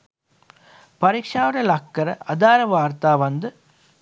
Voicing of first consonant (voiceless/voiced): voiceless